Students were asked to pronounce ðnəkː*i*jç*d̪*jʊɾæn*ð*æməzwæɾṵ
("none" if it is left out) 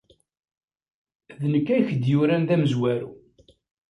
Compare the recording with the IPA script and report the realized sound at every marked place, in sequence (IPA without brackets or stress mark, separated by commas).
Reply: æ, d̪, ð